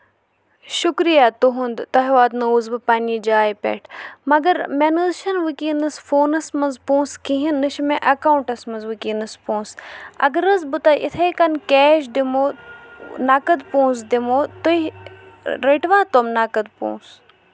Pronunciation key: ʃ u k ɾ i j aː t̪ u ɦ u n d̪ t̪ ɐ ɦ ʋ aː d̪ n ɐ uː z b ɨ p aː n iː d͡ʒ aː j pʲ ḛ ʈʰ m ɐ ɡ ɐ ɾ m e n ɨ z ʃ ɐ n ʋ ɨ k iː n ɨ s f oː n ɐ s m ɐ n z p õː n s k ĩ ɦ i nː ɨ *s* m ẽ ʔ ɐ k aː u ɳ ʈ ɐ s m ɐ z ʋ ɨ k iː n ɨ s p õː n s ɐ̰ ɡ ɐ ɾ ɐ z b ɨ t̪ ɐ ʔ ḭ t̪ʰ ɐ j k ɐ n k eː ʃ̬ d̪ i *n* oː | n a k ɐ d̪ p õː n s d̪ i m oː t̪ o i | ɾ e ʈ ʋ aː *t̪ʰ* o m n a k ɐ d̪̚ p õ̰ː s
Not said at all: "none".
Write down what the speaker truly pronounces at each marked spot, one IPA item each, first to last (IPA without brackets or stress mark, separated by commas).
ʃ, m, t̪